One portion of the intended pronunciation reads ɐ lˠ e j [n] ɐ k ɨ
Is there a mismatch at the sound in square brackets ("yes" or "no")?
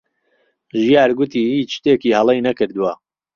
no